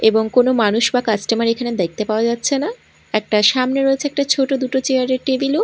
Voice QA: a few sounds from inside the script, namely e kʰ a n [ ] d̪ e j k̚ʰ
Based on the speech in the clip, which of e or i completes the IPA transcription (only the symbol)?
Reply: e